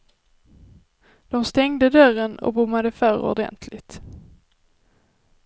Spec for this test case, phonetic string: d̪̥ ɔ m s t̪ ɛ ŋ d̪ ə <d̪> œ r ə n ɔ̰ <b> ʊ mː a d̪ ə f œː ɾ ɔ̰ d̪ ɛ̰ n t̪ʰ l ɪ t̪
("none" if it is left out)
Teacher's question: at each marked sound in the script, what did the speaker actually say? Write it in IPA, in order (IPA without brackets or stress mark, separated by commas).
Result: d̪, b